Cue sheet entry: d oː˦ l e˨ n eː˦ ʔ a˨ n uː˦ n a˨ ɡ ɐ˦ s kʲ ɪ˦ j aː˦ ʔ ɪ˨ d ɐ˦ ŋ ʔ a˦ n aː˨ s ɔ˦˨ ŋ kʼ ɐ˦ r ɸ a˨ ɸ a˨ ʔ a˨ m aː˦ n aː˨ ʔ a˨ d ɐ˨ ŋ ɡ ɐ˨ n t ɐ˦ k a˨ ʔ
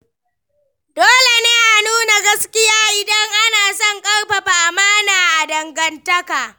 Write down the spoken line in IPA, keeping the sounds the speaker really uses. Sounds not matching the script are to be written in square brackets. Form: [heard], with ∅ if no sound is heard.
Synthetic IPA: d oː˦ l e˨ n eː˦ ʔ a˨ n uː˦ n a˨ ɡ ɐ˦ s kʲ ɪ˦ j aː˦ ʔ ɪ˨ d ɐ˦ ŋ ʔ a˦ n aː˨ s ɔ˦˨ ŋ kʼ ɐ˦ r ɸ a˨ ɸ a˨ ʔ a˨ m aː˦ n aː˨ ʔ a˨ d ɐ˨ ŋ ɡ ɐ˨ n t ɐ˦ k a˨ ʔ

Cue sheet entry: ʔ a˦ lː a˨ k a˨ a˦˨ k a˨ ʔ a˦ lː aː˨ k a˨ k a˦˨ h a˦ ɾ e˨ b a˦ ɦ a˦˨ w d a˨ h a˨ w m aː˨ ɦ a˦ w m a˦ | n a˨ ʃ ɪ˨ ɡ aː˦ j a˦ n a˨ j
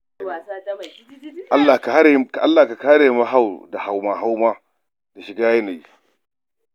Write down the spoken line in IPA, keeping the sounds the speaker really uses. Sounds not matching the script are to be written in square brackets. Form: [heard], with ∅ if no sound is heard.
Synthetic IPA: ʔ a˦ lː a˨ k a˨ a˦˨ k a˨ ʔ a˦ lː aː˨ k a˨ k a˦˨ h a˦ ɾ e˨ [m] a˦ ɦ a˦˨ w d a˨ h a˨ w m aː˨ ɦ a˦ w m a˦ | [d] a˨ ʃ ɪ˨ ɡ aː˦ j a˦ n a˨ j

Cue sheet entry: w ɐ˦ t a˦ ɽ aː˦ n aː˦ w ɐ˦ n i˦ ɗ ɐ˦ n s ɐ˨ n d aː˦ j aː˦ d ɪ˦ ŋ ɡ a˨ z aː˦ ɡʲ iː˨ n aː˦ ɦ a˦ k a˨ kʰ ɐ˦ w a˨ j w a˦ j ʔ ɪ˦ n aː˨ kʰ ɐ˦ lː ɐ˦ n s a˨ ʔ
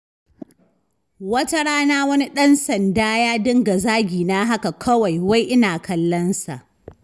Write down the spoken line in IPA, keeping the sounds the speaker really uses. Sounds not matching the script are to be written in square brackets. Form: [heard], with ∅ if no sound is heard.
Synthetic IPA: w ɐ˦ t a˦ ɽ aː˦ n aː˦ w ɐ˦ n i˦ ɗ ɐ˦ n s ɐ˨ n d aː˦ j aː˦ d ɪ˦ ŋ ɡ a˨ z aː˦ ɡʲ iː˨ n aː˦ ɦ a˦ k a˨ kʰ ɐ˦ w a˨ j w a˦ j ʔ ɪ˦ n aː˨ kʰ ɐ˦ lː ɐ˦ n s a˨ ʔ

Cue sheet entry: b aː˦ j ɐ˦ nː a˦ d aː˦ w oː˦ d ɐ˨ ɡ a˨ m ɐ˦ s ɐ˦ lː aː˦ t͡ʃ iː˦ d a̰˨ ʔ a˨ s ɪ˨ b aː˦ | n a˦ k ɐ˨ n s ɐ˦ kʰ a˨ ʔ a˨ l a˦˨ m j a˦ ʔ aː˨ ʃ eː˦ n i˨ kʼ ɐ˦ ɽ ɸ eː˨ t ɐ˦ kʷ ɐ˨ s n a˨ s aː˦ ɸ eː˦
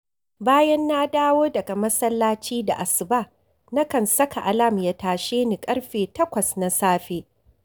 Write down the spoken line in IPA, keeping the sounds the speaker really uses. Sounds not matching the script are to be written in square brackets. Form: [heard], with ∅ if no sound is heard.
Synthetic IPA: b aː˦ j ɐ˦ nː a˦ d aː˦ w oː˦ d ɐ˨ ɡ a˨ m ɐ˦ s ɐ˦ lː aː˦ t͡ʃ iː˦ d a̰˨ ʔ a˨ s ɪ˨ b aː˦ | n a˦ k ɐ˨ n s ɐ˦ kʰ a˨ ʔ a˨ l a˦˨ m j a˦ [t] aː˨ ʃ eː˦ n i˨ kʼ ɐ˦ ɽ ɸ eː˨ t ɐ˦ kʷ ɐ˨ s n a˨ s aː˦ ɸ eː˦

